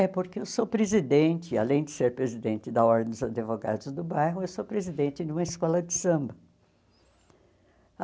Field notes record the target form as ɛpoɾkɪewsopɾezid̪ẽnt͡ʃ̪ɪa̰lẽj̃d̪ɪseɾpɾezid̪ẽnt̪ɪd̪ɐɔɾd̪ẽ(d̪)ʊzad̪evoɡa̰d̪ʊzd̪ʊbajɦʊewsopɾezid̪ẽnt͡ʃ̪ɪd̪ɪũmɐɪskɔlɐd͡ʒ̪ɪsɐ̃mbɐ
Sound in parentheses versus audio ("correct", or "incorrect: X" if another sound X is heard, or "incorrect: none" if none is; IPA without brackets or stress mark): correct